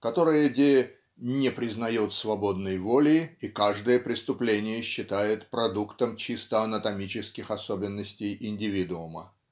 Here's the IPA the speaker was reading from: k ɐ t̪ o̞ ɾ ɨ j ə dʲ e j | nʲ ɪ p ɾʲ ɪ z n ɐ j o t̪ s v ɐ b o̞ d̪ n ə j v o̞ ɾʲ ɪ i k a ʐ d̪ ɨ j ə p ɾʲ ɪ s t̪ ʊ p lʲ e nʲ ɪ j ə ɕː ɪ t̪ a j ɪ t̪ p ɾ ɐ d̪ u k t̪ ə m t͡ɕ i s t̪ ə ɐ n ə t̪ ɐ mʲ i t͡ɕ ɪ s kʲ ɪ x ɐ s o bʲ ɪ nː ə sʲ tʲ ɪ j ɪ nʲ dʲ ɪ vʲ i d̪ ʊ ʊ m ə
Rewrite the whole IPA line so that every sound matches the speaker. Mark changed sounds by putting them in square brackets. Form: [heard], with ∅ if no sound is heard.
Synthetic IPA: k ɐ t̪ o̞ ɾ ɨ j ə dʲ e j | nʲ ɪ p ɾʲ ɪ z n ɐ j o t̪ s v ɐ b o̞ d̪ n ə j v o̞ [lʲ] ɪ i k a ʐ d̪ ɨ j ə p ɾʲ ɪ s t̪ ʊ p lʲ e nʲ ɪ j ə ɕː ɪ t̪ a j ɪ t̪ p ɾ ɐ d̪ u k t̪ ə m t͡ɕ i s t̪ ə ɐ n ə t̪ ɐ mʲ i t͡ɕ ɪ s kʲ ɪ x ɐ s o bʲ ɪ nː ə sʲ tʲ ɪ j ɪ nʲ dʲ ɪ vʲ i d̪ ʊ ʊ m ə